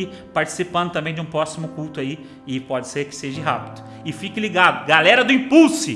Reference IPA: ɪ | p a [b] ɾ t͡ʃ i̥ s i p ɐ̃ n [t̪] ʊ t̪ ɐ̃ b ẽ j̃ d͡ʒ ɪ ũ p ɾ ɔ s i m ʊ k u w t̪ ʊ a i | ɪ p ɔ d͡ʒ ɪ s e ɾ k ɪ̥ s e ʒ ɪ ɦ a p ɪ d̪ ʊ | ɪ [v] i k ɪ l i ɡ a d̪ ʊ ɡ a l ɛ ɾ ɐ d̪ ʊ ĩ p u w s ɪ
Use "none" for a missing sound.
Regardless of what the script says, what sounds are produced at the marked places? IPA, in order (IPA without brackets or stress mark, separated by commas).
none, d̪, f